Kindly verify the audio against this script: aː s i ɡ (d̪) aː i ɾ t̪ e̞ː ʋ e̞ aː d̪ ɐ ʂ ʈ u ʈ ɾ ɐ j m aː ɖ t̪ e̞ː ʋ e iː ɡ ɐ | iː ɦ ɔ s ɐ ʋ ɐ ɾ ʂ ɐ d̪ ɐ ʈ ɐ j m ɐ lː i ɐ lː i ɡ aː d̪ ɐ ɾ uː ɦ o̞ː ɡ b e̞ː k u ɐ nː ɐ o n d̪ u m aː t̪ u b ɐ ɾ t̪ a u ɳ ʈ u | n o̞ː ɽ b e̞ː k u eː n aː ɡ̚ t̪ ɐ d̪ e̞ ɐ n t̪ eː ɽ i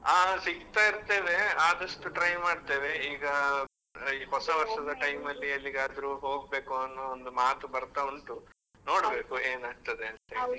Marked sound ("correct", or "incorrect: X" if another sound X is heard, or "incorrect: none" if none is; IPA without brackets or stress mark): incorrect: t̪